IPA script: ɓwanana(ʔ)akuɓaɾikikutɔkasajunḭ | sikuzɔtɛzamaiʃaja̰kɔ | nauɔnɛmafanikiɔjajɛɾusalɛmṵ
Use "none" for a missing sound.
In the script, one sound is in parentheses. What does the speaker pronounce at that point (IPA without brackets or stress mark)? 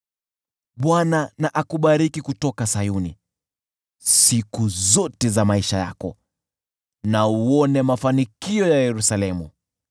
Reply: ʔ